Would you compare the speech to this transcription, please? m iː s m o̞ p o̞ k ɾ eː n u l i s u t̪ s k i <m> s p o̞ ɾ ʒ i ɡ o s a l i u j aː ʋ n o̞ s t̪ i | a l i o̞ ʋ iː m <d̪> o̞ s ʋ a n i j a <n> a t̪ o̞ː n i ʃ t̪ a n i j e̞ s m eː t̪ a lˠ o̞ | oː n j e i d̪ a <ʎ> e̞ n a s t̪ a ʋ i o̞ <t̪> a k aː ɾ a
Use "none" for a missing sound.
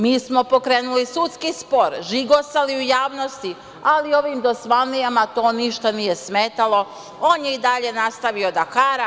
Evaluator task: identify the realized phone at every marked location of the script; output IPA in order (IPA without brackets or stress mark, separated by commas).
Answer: none, d̪, m, ʎ, d̪